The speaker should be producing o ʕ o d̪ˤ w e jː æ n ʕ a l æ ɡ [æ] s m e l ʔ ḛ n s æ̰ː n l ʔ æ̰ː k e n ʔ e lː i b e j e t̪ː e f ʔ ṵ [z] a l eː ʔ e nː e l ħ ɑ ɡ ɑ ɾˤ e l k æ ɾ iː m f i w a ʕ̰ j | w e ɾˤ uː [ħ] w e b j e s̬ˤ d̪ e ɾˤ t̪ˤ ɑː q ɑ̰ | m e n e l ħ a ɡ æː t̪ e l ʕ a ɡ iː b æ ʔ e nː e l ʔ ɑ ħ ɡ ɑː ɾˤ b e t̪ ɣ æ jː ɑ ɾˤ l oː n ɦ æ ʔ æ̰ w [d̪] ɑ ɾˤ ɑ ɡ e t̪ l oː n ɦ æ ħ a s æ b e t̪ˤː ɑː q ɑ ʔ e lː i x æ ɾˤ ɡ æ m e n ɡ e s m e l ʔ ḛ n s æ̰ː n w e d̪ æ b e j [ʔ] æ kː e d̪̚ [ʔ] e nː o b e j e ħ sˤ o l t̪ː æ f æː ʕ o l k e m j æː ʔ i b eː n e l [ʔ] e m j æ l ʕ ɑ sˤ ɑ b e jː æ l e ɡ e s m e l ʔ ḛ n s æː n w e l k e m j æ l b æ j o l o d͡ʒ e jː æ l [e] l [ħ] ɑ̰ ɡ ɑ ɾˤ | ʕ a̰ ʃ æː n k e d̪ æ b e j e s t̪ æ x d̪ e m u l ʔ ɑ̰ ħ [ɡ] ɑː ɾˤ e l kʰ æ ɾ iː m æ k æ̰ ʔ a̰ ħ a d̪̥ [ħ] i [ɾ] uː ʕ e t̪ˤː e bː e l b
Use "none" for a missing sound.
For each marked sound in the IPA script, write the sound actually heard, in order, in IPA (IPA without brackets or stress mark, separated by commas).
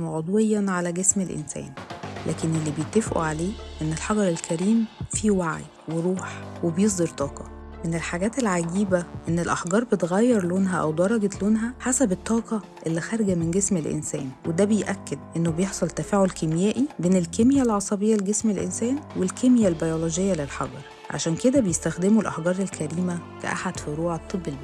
e, ʕ, ħ, d̪, ʔ, ʔ, k, e, ħ, ɡ, f, ɾ